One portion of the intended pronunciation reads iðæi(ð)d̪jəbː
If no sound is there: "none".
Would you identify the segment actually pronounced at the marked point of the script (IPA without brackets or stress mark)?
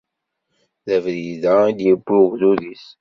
none